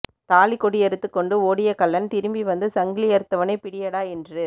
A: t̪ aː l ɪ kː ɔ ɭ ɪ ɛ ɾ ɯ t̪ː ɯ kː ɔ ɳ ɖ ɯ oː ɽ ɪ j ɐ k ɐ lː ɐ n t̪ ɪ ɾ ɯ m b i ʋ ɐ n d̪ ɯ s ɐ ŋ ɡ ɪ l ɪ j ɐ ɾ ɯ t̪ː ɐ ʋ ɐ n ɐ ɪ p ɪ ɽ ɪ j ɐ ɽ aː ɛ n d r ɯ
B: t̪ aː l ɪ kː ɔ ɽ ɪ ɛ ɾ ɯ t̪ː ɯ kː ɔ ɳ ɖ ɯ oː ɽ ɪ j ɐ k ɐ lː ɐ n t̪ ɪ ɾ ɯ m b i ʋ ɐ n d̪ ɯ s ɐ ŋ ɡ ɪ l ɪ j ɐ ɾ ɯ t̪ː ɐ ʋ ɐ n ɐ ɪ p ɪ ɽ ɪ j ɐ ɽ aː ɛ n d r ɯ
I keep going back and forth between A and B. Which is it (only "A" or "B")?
B